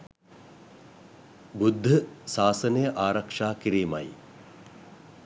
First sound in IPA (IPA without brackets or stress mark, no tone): b